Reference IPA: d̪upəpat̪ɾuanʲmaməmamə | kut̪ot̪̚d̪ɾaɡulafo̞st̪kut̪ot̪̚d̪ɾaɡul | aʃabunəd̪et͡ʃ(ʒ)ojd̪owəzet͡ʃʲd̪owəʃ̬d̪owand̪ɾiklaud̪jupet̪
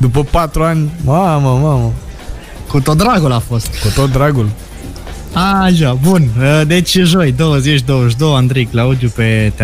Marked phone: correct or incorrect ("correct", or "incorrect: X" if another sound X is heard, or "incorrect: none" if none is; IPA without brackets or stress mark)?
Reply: correct